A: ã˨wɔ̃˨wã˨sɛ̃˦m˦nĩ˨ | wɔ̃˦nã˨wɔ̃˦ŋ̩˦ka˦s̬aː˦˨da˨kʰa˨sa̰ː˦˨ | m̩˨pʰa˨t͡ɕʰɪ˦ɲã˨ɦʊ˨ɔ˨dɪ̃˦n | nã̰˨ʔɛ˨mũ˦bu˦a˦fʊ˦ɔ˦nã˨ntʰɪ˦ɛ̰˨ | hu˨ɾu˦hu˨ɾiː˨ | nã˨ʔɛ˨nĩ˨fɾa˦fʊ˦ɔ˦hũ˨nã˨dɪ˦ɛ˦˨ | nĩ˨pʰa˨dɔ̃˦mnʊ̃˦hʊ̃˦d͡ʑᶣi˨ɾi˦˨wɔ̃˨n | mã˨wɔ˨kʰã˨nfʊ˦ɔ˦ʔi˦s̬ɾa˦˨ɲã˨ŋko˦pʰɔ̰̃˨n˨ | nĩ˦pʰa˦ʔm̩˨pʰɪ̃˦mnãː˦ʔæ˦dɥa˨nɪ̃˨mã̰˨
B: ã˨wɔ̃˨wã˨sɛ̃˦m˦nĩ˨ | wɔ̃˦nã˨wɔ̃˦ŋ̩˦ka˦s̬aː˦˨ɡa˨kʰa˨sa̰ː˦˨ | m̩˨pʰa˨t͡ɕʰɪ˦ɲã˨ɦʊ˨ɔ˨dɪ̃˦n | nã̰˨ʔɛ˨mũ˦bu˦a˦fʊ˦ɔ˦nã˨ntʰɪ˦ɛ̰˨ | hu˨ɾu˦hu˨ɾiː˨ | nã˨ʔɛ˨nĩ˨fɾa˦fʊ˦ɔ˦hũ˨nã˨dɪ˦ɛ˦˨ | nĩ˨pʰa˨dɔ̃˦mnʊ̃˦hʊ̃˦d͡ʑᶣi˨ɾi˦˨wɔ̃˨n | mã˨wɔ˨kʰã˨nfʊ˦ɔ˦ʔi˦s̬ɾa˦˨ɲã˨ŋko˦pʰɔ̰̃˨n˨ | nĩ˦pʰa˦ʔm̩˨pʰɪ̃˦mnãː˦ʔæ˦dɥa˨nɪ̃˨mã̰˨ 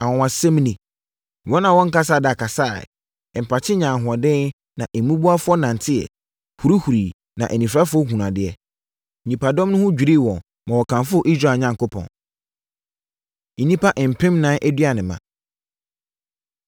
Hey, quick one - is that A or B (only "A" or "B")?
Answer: A